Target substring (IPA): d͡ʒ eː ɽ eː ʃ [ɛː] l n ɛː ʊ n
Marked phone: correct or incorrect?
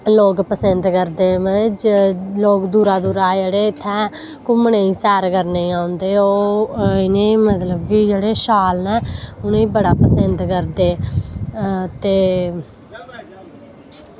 incorrect: aː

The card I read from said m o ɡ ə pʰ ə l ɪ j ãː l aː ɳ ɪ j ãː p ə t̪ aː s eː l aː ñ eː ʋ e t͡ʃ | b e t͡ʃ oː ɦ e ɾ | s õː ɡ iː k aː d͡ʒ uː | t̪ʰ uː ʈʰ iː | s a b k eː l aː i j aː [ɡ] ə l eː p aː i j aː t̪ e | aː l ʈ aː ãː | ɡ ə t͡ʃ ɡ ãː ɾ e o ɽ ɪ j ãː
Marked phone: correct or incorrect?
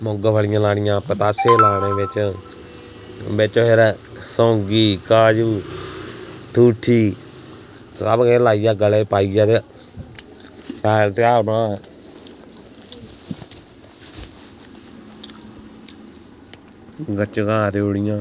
correct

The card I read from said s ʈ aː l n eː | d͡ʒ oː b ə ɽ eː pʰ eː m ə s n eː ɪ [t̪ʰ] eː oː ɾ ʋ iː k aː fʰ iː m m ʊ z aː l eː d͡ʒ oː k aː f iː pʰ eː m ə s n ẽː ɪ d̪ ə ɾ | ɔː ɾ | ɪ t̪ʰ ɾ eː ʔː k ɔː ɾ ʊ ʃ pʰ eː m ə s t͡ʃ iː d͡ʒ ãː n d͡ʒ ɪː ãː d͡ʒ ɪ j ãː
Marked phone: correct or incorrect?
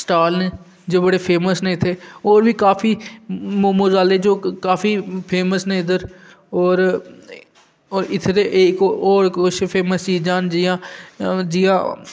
correct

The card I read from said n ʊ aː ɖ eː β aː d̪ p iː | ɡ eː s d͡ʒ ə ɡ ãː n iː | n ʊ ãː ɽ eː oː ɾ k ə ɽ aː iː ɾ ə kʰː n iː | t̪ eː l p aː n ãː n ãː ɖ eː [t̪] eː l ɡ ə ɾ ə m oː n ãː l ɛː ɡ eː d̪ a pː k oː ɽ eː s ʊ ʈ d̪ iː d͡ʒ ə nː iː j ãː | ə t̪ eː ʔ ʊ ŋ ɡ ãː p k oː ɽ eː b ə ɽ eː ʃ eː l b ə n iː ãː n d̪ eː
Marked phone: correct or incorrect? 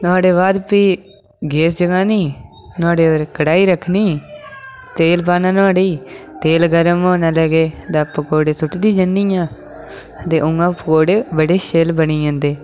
correct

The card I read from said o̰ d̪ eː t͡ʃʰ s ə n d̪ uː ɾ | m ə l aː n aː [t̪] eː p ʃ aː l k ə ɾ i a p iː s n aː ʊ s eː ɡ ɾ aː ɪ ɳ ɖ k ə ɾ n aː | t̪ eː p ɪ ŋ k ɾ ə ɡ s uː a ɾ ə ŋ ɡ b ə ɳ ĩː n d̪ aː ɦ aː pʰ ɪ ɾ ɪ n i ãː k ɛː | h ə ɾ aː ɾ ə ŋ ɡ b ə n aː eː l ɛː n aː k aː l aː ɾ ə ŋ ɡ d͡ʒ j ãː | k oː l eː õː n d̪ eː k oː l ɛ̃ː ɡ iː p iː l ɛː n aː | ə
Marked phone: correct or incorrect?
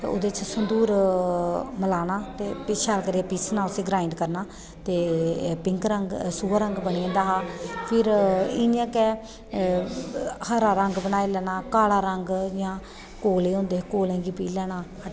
correct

